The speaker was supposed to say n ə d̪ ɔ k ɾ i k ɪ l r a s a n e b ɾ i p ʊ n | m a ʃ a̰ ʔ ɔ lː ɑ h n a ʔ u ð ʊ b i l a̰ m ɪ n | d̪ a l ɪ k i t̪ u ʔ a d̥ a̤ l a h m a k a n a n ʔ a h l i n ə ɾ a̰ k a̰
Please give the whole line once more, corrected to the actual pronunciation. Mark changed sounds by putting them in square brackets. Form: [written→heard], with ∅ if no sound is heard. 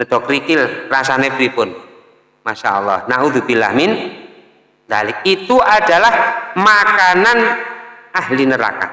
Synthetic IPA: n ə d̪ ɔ k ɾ i k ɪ l r a s a n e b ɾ i p ʊ n | m a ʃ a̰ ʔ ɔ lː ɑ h n a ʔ u ð [ʊ→u] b i l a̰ m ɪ n | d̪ a l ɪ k i t̪ u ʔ a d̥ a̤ l a h m a k a n a n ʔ a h l i n ə ɾ a̰ k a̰